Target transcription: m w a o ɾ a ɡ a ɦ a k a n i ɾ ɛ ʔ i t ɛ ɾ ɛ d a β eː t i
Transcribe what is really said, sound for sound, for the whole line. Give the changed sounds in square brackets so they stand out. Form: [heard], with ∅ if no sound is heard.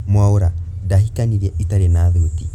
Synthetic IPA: m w a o ɾ a [d] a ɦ [i] k a n i ɾ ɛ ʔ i t [a] ɾ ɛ [n] a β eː t i